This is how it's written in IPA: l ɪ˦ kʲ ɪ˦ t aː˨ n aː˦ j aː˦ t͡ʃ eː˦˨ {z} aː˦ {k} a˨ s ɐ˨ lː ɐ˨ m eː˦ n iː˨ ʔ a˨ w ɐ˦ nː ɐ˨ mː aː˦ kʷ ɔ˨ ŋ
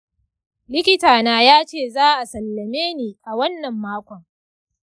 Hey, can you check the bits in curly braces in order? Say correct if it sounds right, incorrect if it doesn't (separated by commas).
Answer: correct, incorrect